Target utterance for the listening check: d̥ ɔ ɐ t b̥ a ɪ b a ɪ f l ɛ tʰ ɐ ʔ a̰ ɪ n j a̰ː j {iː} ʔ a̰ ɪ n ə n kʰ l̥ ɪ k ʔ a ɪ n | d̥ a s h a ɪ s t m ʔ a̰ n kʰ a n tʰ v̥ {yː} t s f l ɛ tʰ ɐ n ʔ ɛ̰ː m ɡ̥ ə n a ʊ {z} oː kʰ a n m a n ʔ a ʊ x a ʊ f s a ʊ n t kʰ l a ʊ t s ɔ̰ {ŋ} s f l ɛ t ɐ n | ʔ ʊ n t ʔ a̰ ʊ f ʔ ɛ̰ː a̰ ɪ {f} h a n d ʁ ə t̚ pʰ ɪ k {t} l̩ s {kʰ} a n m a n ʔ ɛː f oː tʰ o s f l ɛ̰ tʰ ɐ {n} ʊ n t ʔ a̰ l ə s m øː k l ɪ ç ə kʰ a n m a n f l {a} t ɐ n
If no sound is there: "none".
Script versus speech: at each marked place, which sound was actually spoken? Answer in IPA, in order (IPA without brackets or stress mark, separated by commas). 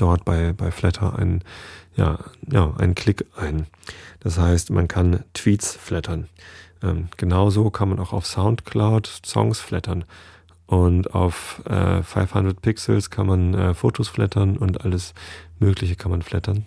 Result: aː, iː, z, ŋ, f, s, kʰ, n, ɛ